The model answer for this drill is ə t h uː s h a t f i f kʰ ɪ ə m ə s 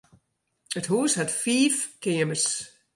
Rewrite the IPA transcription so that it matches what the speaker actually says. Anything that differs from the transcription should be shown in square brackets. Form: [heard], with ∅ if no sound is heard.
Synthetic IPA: ə t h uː s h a t f [iː] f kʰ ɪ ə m ə s